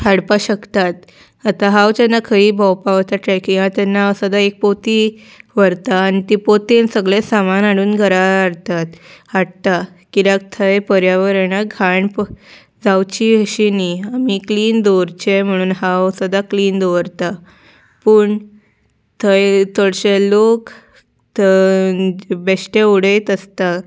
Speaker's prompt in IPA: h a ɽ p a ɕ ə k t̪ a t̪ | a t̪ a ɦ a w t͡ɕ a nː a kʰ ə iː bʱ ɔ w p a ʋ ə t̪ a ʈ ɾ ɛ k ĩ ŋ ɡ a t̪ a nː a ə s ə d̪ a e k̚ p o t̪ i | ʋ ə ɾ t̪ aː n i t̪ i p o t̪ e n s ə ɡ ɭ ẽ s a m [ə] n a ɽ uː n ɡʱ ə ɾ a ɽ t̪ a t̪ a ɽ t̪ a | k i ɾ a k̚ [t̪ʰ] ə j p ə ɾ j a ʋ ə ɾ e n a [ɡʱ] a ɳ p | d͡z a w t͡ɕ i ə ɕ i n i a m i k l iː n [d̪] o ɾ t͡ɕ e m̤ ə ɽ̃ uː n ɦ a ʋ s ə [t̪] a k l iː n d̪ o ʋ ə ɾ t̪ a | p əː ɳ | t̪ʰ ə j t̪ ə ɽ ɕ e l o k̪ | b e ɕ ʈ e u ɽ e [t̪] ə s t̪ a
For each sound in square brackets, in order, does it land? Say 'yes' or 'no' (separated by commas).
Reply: no, yes, yes, yes, no, yes